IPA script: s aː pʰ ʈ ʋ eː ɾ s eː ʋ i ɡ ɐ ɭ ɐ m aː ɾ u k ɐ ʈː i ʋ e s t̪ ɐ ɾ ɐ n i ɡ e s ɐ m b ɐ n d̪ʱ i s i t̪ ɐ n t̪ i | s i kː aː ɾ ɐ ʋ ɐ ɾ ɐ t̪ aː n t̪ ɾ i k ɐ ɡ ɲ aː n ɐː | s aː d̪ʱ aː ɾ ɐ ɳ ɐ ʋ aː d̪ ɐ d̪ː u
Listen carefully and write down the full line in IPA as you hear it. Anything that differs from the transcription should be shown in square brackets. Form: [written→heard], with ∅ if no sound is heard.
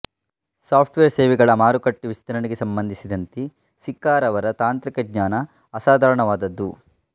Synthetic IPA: s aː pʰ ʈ ʋ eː ɾ s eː ʋ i ɡ ɐ ɭ ɐ m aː ɾ u k ɐ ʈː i ʋ [e→i] s t̪ ɐ ɾ ɐ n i ɡ e s ɐ m b ɐ n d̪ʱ i s i [t̪→d̪] ɐ n t̪ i | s i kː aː ɾ ɐ ʋ ɐ ɾ ɐ t̪ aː n t̪ ɾ i k ɐ ɡ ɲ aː n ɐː | s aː d̪ʱ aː ɾ ɐ ɳ ɐ ʋ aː d̪ ɐ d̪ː u

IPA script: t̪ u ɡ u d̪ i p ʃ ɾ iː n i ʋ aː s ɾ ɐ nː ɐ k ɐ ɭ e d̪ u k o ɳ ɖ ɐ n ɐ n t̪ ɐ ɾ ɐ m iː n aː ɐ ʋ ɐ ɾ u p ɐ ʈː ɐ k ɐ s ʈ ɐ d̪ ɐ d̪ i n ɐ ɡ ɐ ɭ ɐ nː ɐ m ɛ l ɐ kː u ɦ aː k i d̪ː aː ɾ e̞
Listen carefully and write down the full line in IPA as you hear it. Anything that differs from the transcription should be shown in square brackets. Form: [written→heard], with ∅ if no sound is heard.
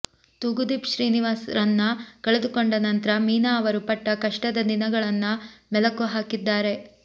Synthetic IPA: t̪ u ɡ u d̪ i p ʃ ɾ iː n i ʋ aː s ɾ ɐ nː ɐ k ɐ ɭ e d̪ u k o ɳ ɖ ɐ n ɐ n t̪ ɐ ɾ ɐ m iː n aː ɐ ʋ ɐ ɾ u p ɐ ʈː ɐ k ɐ [s→ʂ] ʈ ɐ d̪ ɐ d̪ i n ɐ ɡ ɐ ɭ ɐ nː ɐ m ɛ l ɐ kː u ɦ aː k i d̪ː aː ɾ e̞

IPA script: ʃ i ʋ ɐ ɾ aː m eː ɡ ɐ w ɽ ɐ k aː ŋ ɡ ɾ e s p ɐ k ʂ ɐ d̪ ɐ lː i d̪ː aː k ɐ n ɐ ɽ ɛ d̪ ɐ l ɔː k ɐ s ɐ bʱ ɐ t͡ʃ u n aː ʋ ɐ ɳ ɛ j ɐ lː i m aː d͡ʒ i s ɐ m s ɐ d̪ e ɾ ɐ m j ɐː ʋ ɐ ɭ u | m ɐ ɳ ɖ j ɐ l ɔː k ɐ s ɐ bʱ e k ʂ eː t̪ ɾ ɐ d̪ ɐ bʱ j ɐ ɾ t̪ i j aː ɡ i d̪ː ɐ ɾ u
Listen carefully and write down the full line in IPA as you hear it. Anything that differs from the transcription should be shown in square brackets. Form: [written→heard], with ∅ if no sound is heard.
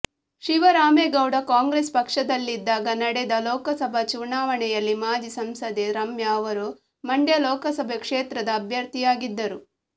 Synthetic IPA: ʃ i ʋ ɐ ɾ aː m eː ɡ ɐ w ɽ ɐ k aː ŋ ɡ ɾ e s p ɐ k ʂ ɐ d̪ ɐ lː i d̪ː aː [k→ɡ] ɐ n ɐ ɽ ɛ d̪ ɐ l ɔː k ɐ s ɐ bʱ ɐ t͡ʃ u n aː ʋ ɐ ɳ ɛ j ɐ lː i m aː d͡ʒ i s ɐ m s ɐ d̪ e ɾ ɐ m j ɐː ʋ ɐ [ɭ→ɾ] u | m ɐ ɳ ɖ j ɐ l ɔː k ɐ s ɐ bʱ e k ʂ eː t̪ ɾ ɐ d̪ [ɐ→ɐː] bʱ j ɐ ɾ t̪ i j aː ɡ i d̪ː ɐ ɾ u

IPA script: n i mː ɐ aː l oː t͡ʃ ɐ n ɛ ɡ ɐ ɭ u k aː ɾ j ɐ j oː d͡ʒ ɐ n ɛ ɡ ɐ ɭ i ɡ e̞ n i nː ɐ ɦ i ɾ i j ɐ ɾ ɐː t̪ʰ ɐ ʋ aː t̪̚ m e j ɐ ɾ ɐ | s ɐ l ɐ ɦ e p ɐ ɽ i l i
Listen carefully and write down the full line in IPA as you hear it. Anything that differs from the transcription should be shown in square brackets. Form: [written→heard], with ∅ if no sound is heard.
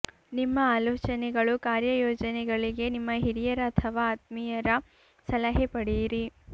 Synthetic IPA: n i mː ɐ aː l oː t͡ʃ ɐ n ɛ ɡ ɐ ɭ u k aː ɾ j ɐ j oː d͡ʒ ɐ n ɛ ɡ ɐ ɭ i ɡ e̞ n i [nː→mː] ɐ ɦ i ɾ i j ɐ ɾ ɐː t̪ʰ ɐ ʋ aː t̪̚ m [e→i] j ɐ ɾ ɐ | s ɐ l ɐ ɦ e p ɐ ɽ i [l→ɾ] i

